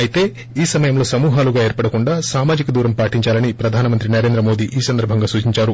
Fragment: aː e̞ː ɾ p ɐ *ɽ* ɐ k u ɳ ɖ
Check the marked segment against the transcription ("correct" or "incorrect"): correct